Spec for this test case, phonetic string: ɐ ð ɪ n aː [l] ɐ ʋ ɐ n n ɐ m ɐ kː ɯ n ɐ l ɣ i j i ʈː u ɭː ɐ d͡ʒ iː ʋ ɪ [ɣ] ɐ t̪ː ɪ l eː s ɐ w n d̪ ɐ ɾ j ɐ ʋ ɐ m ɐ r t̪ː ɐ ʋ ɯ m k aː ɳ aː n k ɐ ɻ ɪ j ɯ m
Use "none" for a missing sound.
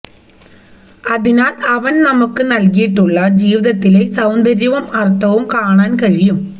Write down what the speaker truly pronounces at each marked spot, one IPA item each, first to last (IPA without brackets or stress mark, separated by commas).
l, ð